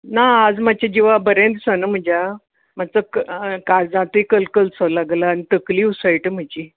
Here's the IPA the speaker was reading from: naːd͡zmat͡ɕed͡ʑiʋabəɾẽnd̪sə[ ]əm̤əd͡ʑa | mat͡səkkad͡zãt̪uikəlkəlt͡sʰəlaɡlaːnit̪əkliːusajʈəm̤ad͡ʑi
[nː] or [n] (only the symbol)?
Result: n